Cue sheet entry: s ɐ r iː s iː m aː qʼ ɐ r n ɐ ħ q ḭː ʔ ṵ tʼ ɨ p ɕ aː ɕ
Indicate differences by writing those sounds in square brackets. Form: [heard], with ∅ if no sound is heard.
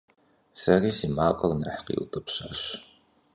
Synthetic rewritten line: s ɐ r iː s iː m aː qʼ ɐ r n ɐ ħ q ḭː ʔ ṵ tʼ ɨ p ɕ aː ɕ